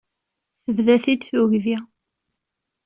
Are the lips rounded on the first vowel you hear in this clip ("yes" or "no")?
no